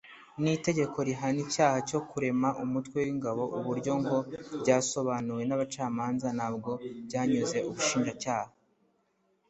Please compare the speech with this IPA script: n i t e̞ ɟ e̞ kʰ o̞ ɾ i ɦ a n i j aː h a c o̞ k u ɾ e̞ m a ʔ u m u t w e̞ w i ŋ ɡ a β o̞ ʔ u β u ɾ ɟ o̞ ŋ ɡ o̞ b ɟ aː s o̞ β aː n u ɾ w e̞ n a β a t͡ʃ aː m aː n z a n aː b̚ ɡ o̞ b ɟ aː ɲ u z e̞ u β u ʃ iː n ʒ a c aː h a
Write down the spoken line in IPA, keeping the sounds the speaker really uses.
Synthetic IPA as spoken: n i t e̞ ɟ e̞ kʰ o̞ ɾ i ɦ a n i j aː h a c o̞ k u ɾ e̞ m a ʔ u m u t w e̞ w i ŋ ɡ a β o̞ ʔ u β u ɾ ɟ o̞ ŋ ɡ o̞ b ɟ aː s o̞ β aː n u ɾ w e̞ n a β a t͡ʃ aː m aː n z a n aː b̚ ɡ o̞ b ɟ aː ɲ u z e̞ u β u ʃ iː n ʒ a c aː h a